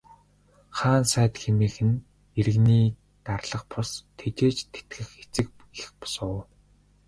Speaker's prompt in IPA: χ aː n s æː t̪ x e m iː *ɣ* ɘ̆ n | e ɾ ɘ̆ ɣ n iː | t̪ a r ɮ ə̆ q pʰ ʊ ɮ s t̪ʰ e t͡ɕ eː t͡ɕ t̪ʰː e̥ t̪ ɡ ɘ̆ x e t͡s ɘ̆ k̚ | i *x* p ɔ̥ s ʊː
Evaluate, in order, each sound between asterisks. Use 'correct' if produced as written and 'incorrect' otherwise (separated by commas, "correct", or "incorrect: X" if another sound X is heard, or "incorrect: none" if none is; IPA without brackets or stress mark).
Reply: incorrect: x, correct